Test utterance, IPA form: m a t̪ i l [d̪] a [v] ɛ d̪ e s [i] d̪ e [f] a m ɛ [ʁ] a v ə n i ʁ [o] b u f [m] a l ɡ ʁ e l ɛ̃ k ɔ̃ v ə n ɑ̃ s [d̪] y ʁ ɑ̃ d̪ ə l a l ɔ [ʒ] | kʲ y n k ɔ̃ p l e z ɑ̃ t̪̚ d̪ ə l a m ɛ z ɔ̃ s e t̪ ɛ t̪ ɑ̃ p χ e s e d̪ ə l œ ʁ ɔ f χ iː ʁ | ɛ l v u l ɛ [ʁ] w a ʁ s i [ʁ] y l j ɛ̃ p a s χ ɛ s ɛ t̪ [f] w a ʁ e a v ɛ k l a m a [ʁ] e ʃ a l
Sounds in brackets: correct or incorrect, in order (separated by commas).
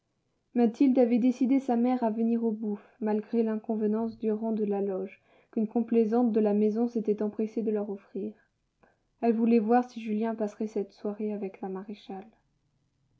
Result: correct, correct, correct, incorrect, correct, correct, correct, correct, correct, incorrect, incorrect, incorrect, correct